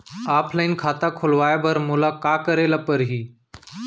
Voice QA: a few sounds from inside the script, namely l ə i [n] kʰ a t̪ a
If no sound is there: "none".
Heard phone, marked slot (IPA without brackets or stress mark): n